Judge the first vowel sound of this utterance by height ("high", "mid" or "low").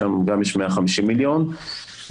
low